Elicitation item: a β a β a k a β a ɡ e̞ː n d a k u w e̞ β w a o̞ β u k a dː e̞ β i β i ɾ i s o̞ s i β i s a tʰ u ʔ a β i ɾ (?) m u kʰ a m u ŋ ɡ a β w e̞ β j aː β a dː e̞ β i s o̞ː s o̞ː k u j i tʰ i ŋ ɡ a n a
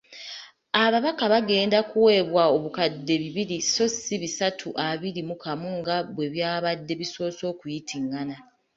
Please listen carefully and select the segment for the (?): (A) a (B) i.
B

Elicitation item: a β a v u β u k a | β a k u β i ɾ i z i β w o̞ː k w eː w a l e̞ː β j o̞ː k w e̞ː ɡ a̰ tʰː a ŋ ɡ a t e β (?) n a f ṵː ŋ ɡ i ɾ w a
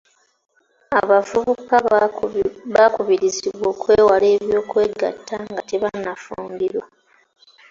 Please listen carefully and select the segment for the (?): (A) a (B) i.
A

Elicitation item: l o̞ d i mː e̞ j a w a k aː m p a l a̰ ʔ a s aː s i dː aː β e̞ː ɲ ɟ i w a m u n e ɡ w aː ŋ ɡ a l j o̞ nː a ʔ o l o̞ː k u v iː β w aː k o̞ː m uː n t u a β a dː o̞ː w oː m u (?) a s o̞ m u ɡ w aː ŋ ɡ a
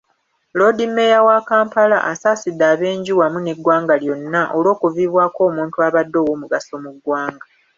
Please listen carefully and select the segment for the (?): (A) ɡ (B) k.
A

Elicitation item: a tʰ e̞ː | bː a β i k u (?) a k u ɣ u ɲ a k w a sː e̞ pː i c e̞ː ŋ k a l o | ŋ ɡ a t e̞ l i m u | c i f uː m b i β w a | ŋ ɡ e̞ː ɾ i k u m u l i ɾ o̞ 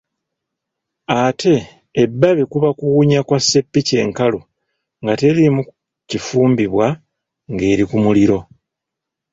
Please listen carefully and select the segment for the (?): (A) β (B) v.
A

